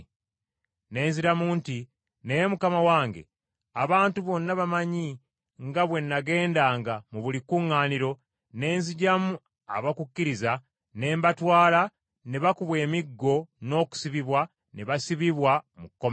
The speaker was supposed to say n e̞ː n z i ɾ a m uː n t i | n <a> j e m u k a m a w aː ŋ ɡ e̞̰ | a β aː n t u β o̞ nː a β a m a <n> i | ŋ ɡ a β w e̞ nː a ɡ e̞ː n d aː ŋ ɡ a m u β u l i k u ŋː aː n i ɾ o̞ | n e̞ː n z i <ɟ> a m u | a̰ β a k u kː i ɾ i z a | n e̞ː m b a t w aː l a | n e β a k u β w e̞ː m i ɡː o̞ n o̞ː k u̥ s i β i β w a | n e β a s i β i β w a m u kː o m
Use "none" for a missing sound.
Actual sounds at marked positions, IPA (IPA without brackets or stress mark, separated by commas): e, ɲ, ɟ